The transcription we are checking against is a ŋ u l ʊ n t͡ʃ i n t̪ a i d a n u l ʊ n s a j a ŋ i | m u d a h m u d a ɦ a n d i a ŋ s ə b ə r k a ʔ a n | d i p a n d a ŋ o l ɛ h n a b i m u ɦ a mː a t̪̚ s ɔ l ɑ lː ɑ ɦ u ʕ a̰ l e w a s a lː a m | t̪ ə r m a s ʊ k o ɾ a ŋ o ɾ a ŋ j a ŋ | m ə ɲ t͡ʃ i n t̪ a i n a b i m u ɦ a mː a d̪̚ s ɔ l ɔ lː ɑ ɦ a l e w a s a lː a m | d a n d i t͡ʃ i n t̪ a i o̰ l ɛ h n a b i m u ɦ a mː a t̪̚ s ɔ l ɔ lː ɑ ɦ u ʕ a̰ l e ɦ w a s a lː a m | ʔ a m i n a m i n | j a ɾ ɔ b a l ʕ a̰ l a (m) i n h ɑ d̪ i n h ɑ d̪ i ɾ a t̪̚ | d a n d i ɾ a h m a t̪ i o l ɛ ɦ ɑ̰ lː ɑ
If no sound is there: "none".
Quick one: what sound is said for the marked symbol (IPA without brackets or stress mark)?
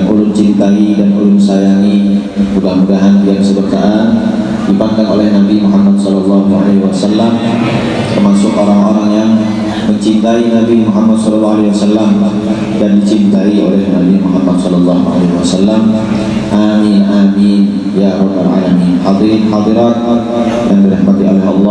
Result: m